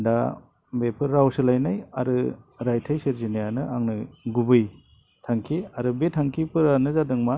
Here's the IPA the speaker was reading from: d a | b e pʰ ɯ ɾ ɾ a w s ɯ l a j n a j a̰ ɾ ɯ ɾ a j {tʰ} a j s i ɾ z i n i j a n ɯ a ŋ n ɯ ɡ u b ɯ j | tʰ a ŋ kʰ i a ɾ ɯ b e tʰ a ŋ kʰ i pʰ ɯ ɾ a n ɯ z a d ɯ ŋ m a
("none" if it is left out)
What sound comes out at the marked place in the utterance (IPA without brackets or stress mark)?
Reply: tʰ